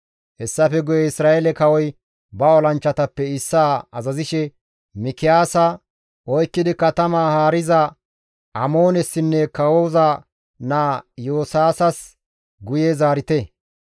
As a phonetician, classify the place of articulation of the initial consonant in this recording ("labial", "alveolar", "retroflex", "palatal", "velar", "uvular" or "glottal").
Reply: glottal